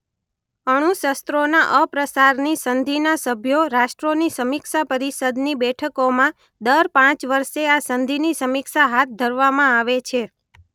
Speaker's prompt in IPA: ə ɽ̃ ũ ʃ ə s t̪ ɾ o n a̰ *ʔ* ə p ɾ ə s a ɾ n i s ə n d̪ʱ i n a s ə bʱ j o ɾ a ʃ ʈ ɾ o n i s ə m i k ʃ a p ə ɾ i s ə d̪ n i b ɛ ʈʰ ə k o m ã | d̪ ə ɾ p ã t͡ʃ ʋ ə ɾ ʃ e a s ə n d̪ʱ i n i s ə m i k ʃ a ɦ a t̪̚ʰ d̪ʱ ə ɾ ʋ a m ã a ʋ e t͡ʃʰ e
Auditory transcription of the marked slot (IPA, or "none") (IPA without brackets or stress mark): ʔ